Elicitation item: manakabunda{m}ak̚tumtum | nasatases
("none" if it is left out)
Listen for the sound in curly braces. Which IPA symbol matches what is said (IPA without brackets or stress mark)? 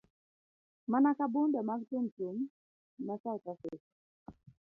m